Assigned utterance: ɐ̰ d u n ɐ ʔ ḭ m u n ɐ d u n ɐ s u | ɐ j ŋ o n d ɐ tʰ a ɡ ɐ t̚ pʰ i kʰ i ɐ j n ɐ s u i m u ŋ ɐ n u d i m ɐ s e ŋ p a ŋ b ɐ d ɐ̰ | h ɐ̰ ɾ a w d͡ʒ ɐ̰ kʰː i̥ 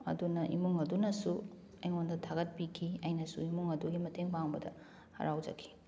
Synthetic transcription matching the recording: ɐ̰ d u n ɐ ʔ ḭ m u ŋ ɐ d u n ɐ s u | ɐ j ŋ o n d ɐ tʰ a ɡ ɐ t̚ p i kʰ i ɐ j n ɐ s u i m u ŋ ɐ d u ɡ i m ɐ t e ŋ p a ŋ b ɐ d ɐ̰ | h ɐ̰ ɾ a w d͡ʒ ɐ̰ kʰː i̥